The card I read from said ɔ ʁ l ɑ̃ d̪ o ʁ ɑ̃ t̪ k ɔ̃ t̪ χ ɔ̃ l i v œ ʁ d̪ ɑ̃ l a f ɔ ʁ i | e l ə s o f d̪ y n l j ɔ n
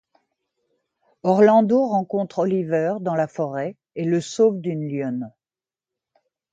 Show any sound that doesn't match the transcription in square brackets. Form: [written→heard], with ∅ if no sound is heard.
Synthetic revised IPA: ɔ ʁ l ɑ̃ d̪ o ʁ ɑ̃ [t̪→∅] k ɔ̃ t̪ χ [ɔ̃→ɔ] l i v œ ʁ d̪ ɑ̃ l a f ɔ ʁ [i→ɛ] | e l ə s o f d̪ y n l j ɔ n